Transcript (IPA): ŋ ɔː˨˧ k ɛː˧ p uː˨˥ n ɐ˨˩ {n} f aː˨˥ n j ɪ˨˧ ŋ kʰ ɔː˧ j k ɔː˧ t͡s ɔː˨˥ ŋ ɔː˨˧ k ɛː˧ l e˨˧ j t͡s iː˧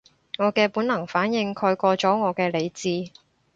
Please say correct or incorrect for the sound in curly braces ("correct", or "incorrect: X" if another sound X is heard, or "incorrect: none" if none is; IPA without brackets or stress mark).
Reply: incorrect: ŋ